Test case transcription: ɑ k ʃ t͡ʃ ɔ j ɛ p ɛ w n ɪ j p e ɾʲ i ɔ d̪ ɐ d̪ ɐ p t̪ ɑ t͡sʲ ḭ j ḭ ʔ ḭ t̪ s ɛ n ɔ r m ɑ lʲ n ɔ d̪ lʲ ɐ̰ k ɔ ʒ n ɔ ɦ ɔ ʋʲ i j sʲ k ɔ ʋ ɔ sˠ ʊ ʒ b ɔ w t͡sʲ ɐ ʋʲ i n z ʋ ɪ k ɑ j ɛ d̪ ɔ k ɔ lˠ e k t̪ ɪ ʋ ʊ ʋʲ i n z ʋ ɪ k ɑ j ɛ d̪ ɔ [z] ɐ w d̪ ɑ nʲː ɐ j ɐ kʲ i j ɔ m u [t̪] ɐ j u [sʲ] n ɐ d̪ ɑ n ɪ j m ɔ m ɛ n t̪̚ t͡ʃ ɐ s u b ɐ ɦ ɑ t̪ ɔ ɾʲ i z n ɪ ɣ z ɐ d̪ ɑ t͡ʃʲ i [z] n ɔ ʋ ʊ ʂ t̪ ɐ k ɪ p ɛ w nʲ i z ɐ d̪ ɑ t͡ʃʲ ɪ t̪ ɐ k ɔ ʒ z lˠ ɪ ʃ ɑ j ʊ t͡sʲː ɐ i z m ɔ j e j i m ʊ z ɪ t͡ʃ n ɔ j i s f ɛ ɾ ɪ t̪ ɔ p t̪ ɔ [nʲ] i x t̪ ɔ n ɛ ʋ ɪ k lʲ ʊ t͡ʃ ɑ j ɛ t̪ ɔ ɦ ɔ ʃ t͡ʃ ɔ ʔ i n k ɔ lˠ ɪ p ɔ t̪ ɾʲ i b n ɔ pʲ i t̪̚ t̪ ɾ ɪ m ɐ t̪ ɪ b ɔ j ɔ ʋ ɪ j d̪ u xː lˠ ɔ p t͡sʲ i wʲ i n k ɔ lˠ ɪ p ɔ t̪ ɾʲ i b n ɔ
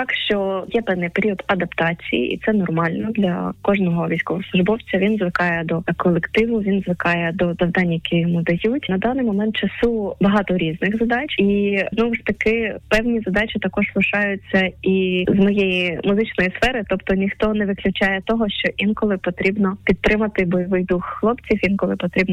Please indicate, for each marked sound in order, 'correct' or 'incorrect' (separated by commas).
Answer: correct, incorrect, incorrect, correct, correct